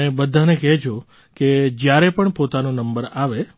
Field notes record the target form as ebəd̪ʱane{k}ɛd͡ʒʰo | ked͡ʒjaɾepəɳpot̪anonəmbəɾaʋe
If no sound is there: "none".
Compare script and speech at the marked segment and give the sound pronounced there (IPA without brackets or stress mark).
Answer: k